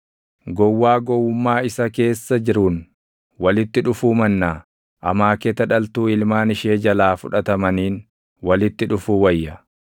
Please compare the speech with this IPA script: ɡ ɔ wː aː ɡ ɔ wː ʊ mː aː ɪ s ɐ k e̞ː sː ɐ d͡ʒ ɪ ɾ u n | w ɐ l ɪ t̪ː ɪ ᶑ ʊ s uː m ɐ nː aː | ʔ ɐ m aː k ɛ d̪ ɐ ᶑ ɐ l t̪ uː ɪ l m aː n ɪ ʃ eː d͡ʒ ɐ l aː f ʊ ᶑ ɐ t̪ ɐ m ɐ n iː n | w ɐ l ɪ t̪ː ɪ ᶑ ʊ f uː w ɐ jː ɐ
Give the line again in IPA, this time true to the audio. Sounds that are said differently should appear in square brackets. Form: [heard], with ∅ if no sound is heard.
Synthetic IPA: ɡ ɔ wː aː ɡ ɔ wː ʊ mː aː ɪ s ɐ k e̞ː sː ɐ d͡ʒ ɪ ɾ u n | w ɐ l ɪ t̪ː ɪ ᶑ ʊ [f] uː m ɐ nː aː | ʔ ɐ m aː k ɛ [t̪] ɐ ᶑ ɐ l t̪ uː ɪ l m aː n ɪ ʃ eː d͡ʒ ɐ l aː f ʊ ᶑ ɐ t̪ ɐ m ɐ n iː n | w ɐ l ɪ t̪ː ɪ ᶑ ʊ f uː w ɐ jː ɐ